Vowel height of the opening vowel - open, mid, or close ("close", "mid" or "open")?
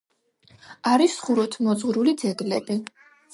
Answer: open